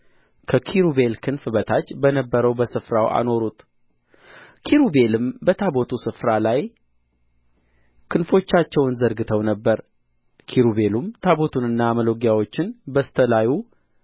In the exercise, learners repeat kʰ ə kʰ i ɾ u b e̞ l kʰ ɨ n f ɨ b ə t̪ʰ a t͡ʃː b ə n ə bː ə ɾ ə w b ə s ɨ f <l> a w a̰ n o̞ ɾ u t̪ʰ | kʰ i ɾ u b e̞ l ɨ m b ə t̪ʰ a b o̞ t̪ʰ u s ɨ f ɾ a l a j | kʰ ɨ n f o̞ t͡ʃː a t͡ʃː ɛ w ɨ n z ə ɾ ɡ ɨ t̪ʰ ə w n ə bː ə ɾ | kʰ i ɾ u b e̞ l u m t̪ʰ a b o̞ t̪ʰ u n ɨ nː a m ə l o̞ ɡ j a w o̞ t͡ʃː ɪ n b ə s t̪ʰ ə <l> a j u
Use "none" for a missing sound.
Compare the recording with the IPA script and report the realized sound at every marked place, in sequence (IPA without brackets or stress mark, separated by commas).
ɾ, l